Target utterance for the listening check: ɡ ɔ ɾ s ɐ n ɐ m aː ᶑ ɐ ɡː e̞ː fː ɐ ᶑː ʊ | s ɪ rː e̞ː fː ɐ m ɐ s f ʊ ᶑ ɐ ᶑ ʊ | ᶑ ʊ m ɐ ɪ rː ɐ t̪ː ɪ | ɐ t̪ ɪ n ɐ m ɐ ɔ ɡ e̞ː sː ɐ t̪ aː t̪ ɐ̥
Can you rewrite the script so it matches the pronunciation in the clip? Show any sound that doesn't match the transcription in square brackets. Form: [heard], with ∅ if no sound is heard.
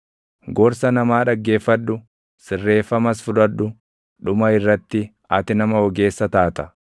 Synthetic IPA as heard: ɡ ɔ ɾ s ɐ n ɐ m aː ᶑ ɐ ɡː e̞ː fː ɐ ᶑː ʊ | s ɪ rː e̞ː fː ɐ m ɐ s f ʊ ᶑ ɐ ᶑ ʊ | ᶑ ʊ m ɐ ɪ rː ɐ t̪ː ɪ | ɐ t̪ ɪ n ɐ m ɐ ɔ ɡ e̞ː sː ɐ t̪ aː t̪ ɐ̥